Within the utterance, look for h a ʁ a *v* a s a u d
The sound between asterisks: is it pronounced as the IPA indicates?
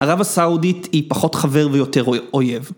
yes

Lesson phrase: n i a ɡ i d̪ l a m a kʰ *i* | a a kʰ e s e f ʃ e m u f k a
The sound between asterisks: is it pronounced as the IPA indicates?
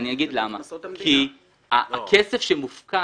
yes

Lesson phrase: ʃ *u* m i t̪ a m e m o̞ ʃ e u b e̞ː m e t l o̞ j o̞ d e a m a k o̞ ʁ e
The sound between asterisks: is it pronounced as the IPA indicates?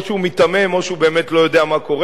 yes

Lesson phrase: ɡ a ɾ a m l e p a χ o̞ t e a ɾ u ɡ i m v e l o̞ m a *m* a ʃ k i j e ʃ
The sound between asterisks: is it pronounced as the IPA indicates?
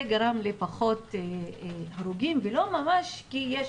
yes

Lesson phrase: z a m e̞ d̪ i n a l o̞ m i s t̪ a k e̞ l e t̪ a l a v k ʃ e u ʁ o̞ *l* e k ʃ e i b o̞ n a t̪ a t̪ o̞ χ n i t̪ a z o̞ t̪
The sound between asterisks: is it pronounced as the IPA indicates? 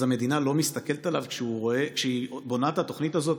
no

